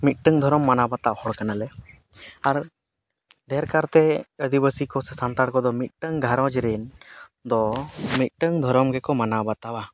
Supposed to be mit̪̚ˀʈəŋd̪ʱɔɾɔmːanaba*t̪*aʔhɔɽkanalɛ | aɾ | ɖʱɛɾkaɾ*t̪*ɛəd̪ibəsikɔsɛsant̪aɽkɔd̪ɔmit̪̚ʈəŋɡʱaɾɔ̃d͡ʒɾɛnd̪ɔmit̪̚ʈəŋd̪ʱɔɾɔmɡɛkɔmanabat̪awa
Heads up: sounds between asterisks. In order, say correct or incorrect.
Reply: correct, correct

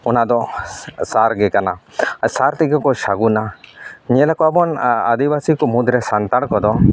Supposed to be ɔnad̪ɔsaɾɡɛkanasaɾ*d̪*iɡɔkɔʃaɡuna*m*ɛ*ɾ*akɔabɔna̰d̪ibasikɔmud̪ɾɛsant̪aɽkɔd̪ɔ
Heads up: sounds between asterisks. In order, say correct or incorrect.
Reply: incorrect, incorrect, incorrect

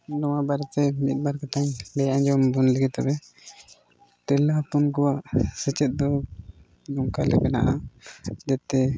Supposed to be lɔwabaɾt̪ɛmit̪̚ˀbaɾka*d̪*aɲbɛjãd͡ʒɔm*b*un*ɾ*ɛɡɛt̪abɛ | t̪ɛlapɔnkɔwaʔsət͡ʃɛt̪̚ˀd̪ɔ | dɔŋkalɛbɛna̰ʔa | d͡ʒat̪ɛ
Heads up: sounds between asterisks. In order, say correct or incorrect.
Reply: incorrect, correct, incorrect

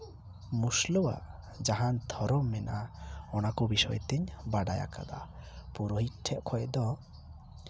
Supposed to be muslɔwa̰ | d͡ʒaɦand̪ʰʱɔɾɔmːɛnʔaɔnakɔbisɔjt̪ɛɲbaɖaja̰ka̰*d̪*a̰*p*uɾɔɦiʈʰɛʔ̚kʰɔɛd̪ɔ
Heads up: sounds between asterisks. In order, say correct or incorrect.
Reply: correct, correct

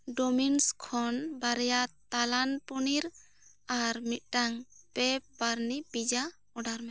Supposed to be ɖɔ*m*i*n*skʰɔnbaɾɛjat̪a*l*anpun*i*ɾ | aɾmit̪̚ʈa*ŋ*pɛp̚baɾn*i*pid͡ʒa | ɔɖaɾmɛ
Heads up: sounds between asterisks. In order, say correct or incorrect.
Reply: correct, correct, correct, correct, correct, correct

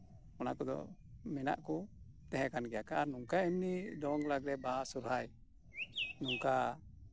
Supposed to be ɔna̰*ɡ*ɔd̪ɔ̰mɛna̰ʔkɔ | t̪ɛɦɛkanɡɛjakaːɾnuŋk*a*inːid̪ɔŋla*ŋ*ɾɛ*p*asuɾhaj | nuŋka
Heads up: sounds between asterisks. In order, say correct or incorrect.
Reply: incorrect, correct, incorrect, incorrect

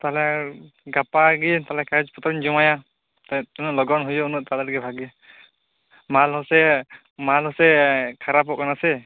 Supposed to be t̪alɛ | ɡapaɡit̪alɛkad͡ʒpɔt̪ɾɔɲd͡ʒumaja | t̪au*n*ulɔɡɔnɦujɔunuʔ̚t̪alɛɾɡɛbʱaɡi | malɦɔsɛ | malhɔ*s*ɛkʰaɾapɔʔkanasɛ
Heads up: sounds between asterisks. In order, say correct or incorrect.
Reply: correct, correct

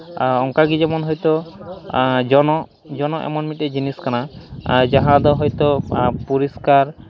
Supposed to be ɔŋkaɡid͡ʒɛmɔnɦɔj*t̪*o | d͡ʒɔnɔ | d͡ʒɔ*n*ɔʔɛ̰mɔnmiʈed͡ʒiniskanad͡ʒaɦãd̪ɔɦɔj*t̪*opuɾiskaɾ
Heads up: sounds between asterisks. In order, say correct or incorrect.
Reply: correct, correct, correct

